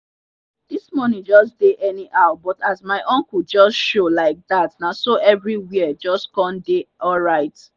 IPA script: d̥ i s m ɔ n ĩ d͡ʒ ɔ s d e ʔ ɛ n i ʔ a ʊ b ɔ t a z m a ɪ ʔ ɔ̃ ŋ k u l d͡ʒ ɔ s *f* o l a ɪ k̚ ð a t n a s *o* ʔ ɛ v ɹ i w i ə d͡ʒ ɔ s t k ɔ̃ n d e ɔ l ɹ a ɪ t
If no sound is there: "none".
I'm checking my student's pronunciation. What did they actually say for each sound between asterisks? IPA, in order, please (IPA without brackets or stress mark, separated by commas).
ʃ, o